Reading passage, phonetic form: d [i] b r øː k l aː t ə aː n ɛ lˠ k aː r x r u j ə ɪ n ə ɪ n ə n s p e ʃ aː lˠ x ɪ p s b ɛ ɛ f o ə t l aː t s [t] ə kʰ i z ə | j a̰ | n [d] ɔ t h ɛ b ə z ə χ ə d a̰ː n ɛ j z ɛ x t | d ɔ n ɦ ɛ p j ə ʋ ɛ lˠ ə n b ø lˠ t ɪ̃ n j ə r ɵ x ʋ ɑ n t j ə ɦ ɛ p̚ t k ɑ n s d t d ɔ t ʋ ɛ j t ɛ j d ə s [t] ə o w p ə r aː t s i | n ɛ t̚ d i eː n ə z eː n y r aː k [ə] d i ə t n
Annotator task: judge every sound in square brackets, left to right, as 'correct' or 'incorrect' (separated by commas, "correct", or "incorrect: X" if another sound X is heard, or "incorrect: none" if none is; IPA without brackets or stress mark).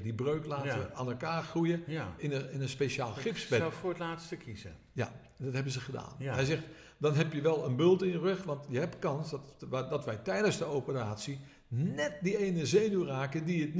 correct, correct, correct, incorrect: d, correct